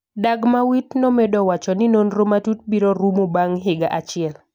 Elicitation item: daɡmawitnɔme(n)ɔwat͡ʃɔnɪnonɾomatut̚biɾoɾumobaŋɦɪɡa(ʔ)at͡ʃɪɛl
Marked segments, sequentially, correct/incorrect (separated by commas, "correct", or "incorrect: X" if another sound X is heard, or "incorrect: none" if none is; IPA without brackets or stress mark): incorrect: d, correct